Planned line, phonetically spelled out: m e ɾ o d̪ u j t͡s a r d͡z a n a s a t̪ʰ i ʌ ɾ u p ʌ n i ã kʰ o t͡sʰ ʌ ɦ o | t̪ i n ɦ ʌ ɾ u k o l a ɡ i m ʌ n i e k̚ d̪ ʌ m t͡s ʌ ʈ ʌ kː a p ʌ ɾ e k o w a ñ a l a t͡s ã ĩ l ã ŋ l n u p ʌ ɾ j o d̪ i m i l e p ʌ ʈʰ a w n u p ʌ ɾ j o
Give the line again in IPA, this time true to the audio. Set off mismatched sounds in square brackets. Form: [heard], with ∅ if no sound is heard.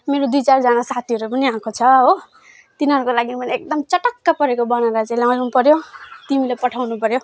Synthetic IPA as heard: m e ɾ o d̪ u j t͡s a r d͡z a n a s a t̪ʰ i ʌ ɾ u p ʌ n i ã kʰ o t͡sʰ ʌ ɦ o | t̪ i n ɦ ʌ ɾ u k o l a ɡ i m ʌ n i e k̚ d̪ ʌ m t͡s ʌ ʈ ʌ kː a p ʌ ɾ e k o [b] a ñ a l a t͡s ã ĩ l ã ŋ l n u p ʌ ɾ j o [t̪] i m i l e p ʌ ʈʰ a w n u p ʌ ɾ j o

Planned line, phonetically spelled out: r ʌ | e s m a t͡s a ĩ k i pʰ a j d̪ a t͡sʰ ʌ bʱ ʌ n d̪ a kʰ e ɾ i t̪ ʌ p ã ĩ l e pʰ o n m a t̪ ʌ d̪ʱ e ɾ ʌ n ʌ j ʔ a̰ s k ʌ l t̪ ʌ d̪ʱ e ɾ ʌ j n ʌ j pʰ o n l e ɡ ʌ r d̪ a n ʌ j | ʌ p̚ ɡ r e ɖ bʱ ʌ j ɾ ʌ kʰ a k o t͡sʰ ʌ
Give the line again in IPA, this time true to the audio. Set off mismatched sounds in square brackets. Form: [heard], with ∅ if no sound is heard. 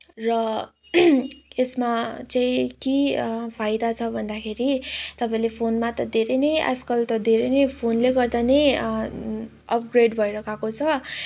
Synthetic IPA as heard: r ʌ | e s m a t͡s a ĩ k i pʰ a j d̪ a t͡sʰ ʌ bʱ ʌ n d̪ a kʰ e ɾ i t̪ ʌ p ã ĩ l e pʰ o n m a t̪ ʌ d̪ʱ e ɾ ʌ n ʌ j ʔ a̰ s k ʌ l t̪ ʌ d̪ʱ e ɾ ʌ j n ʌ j pʰ o n l e ɡ ʌ r d̪ a n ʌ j | ʌ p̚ ɡ r e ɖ bʱ ʌ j ɾ ʌ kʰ a k o t͡sʰ ʌ

